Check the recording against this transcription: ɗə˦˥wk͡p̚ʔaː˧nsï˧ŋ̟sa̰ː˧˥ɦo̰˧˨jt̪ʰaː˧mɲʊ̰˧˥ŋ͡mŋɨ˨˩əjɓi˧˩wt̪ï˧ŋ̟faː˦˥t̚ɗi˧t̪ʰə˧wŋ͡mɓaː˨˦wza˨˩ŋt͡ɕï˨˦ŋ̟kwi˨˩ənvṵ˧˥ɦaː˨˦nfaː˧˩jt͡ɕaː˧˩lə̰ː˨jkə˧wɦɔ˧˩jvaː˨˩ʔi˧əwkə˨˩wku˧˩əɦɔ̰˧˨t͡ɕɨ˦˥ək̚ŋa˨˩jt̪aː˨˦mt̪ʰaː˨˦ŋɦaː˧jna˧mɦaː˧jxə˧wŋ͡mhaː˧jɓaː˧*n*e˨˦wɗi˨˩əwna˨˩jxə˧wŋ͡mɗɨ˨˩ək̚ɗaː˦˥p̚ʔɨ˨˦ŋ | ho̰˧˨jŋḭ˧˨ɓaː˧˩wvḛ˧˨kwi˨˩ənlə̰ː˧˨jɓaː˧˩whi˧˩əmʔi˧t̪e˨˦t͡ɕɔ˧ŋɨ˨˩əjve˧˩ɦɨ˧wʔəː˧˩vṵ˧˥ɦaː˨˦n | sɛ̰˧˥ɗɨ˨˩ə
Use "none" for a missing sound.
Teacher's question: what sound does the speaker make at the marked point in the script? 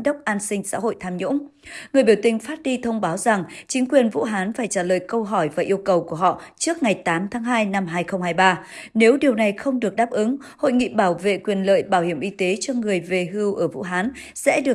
n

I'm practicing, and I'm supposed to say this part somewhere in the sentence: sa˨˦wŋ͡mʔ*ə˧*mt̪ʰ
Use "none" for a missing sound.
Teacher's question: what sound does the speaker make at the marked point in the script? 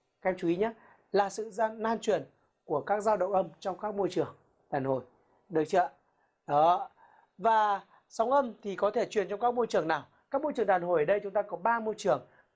ə˧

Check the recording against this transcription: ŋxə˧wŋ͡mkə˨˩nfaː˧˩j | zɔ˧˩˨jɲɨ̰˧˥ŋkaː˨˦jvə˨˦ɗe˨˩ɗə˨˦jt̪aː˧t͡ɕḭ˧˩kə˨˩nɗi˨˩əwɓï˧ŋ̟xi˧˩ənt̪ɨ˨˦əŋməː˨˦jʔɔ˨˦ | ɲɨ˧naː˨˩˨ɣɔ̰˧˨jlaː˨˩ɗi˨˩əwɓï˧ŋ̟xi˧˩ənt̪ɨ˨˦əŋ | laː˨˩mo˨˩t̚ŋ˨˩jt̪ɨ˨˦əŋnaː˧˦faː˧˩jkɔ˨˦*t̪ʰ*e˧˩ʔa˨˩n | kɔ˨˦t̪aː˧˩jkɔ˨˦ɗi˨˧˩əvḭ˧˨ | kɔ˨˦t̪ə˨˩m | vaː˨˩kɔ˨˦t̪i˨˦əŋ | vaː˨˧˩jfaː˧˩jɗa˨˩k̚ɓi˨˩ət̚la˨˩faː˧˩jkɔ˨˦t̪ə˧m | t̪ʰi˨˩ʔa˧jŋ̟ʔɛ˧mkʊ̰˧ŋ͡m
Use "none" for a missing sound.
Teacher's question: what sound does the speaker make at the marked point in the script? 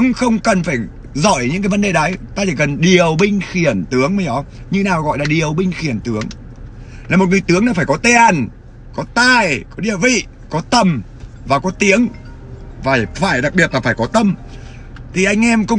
t̪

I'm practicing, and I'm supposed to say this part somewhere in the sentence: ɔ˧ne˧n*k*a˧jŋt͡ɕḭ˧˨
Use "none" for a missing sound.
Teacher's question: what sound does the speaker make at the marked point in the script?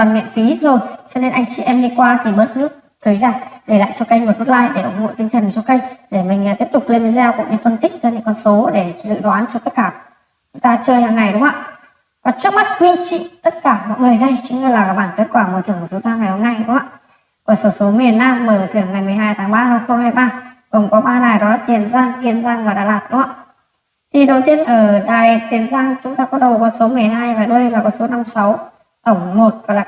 ʔ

